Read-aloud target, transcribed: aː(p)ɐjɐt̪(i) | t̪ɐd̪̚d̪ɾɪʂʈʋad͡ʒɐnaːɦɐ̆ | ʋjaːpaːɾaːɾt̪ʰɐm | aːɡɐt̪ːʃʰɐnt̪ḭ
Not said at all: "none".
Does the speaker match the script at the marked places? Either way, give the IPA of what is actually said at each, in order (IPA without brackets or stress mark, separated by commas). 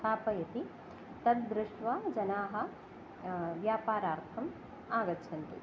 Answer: p, i